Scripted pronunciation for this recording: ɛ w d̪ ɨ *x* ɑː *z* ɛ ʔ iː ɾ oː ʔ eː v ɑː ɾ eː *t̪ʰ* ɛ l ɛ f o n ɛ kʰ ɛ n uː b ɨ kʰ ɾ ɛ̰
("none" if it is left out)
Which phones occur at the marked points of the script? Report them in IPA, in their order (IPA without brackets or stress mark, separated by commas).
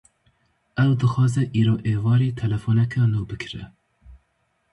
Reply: x, z, t̪ʰ